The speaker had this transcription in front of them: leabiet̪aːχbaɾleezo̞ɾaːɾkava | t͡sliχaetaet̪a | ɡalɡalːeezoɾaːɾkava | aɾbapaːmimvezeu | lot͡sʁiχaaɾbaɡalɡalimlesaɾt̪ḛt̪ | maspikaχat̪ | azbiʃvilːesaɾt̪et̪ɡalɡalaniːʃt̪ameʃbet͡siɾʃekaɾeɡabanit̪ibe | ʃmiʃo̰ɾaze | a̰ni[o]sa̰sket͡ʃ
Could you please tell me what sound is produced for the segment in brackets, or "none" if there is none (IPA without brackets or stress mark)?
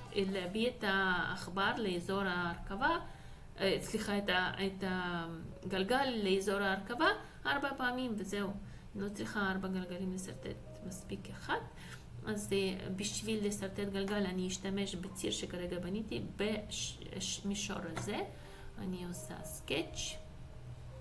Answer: o